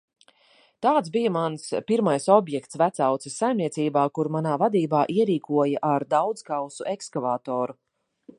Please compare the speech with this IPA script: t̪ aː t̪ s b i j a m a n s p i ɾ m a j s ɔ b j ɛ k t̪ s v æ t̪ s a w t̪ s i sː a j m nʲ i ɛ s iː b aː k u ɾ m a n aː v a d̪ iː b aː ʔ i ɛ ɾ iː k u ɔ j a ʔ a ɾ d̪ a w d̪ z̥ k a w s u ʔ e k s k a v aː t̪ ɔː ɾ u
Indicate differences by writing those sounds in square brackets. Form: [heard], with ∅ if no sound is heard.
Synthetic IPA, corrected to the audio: t̪ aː t̪ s b i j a m a n s p i ɾ m a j s ɔ b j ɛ k t̪ s v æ t̪ s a w t̪ s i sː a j m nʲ i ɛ s iː b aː k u ɾ m a n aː v a d̪ iː b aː ʔ i ɛ ɾ iː k u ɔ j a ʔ a ɾ d̪ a w d̪ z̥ k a w s u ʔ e k s k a v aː t̪ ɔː ɾ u